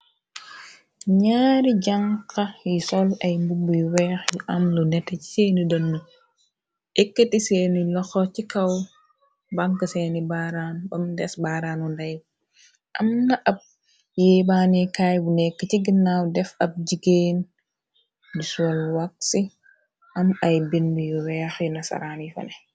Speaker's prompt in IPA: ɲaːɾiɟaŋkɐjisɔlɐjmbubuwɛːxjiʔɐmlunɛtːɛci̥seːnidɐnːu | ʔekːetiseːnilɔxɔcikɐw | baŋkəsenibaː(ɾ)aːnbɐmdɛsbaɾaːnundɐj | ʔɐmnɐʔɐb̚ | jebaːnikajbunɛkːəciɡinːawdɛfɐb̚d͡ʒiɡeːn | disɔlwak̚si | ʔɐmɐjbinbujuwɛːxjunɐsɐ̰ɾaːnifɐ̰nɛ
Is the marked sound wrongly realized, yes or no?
no